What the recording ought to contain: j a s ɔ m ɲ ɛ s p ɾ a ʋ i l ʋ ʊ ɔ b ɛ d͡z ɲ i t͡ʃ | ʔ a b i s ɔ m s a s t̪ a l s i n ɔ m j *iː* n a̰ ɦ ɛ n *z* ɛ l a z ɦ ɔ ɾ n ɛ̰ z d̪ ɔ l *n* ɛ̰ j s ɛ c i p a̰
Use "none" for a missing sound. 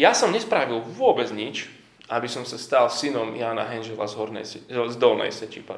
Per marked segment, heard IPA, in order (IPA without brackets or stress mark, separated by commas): aː, ʒ, n